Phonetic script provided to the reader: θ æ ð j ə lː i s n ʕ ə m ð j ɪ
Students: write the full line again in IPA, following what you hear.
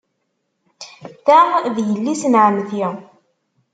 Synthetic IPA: θ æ ð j ə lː i s n ʕ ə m θ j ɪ